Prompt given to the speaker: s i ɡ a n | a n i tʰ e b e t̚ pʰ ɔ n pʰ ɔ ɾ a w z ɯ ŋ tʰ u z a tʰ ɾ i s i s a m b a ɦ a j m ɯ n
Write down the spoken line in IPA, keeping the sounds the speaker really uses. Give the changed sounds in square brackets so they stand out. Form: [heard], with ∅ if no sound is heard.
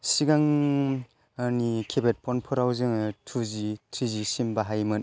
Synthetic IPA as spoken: s i ɡ a [ŋ] | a n i [kʰ] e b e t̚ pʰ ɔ n pʰ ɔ ɾ a w z ɯ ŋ tʰ u z [i] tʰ ɾ i [z] i s [i] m b a ɦ a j m ɯ n